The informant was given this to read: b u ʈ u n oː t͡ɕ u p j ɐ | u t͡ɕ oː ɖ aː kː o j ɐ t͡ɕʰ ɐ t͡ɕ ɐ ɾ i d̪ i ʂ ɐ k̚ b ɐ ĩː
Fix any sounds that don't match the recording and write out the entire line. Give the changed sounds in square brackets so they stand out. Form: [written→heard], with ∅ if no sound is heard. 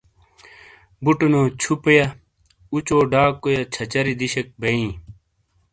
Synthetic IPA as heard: b u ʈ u n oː [t͡ɕ→t͡ɕʰ] u p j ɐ | u t͡ɕ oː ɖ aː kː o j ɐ t͡ɕʰ ɐ t͡ɕ ɐ ɾ i d̪ i [ʂ→ɕ] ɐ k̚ b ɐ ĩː

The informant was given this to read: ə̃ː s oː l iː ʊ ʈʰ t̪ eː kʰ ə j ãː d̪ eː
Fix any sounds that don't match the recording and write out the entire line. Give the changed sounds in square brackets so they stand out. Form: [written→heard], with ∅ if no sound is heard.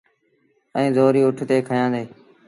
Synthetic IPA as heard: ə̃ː [s→z] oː [l→ɾ] iː ʊ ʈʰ t̪ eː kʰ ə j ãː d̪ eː

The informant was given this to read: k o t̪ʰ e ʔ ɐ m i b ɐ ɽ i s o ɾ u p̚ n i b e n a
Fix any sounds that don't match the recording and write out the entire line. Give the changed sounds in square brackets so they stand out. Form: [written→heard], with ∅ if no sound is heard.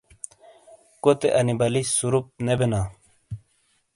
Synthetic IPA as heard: k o [t̪ʰ→t̪] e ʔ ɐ [m→n] i b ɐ [ɽ→l] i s [o→u] ɾ u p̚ n [i→e] b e n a

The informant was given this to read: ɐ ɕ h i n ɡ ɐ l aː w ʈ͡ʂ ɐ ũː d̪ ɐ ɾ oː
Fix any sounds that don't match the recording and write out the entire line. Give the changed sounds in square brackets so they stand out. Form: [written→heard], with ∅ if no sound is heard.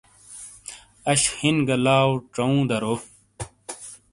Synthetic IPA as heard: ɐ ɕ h i n ɡ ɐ l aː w ʈ͡ʂ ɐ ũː d̪ ɐ ɾ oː

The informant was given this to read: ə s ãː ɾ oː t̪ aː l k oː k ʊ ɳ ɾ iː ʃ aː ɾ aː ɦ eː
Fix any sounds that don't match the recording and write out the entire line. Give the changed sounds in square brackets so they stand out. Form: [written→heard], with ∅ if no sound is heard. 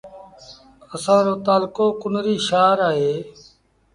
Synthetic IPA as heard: ə s ãː ɾ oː t̪ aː l k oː k ʊ [ɳ→n] ɾ iː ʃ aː ɾ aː ɦ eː

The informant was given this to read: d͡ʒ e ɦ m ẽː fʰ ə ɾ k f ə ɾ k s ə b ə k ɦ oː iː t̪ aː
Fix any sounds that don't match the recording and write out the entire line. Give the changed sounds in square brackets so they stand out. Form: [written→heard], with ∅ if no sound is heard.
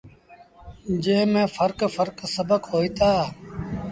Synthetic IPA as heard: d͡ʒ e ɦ m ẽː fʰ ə ɾ k f ə ɾ k s ə b ə k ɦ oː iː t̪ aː

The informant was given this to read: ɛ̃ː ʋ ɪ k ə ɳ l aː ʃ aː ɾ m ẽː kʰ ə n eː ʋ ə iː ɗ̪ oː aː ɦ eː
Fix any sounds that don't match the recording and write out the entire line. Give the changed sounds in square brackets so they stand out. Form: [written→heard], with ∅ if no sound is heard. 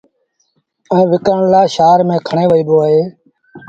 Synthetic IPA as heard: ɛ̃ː ʋ ɪ k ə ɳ l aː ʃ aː ɾ m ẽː kʰ ə [n→ɳ] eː ʋ ə iː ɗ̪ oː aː ɦ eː

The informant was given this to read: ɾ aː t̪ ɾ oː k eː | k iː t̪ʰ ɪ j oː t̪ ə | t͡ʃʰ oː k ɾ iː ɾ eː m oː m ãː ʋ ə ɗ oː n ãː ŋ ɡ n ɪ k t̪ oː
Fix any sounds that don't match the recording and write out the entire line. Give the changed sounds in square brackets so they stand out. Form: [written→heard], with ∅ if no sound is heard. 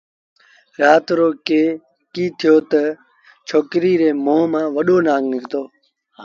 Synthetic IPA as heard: ɾ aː t̪ ɾ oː k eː | k iː t̪ʰ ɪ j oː t̪ ə | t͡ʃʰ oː k ɾ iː ɾ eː m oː m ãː ʋ ə ɗ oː n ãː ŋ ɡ n ɪ k t̪ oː

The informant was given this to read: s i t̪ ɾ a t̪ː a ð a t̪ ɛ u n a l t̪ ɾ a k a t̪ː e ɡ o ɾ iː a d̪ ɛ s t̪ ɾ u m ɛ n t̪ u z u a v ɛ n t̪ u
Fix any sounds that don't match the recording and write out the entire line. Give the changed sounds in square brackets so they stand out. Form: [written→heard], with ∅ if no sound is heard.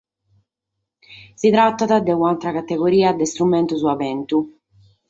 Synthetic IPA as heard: s i t̪ ɾ a t̪ː a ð a [t̪→d̪] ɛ u n a l t̪ ɾ a k a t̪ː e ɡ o ɾ iː a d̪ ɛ s t̪ ɾ u m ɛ n t̪ u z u a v ɛ n t̪ u

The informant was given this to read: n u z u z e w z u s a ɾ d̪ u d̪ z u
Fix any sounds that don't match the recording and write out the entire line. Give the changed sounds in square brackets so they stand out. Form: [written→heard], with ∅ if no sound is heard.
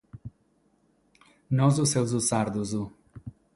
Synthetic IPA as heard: n [u→ɔ] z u [z→s] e w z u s a ɾ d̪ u [d̪→∅] z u

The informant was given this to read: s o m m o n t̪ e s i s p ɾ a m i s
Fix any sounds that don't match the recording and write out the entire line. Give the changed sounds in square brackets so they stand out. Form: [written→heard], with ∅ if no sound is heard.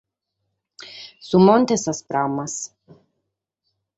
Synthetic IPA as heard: s [o→u] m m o n t̪ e s [i→a] s p ɾ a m [i→a] s

